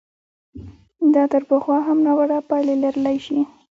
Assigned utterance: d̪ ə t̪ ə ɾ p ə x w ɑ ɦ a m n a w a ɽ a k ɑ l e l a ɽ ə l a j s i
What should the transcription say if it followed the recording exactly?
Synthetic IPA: d̪ ɑ t̪ ə ɾ p ə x w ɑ ɦ a m n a w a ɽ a p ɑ l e l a ɾ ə l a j ʃ i